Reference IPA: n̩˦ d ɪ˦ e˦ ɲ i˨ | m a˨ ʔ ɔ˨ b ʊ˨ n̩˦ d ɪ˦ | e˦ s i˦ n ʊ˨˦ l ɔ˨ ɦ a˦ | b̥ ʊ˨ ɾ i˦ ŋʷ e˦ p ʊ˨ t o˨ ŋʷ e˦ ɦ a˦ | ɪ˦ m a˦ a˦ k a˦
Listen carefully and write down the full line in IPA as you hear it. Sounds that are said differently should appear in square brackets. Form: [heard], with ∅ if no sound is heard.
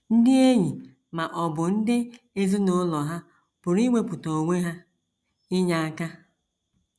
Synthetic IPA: n̩˦ d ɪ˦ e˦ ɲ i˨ | m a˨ ʔ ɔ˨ b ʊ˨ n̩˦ d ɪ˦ | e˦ [z] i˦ n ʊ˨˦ l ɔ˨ ɦ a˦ | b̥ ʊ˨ ɾ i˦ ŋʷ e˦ p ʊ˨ t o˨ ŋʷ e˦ ɦ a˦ | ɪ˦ [ɲ] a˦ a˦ k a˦